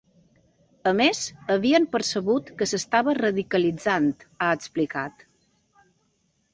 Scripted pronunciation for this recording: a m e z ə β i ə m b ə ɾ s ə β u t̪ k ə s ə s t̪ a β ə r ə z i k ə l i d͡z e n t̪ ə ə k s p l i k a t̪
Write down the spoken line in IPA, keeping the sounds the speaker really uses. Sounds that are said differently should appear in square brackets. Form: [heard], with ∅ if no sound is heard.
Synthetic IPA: [ə] m e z ə β i ə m [p] ə ɾ s ə β u t̪ k ə s ə s t̪ a β ə r ə [ð] i k ə l i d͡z [a] n t̪ [a] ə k s p l i k a t̪